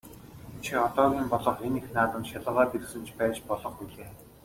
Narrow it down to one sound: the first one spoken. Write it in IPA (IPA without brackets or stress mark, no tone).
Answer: t͡ɕʰ